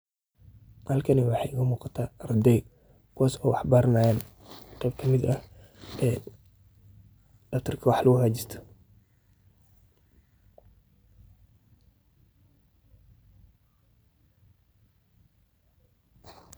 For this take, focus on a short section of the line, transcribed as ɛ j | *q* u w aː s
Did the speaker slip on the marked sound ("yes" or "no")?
yes